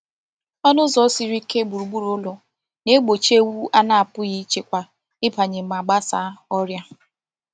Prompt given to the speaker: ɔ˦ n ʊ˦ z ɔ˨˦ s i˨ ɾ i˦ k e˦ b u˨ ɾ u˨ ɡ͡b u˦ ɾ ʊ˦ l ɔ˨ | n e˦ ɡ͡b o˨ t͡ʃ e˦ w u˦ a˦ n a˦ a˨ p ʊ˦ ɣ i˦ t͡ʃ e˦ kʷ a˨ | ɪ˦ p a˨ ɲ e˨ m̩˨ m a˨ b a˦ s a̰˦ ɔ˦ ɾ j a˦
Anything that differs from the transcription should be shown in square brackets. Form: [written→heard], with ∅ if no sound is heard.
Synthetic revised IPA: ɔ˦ n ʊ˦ z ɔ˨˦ s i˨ ɾ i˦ k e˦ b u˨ ɾ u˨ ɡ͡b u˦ ɾ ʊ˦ l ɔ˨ | n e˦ ɡ͡b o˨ t͡ʃ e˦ w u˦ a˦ n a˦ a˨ p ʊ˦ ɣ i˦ t͡ʃ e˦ kʷ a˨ | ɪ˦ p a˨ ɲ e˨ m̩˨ m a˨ [b→ɡ͡b] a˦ s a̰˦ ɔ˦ ɾ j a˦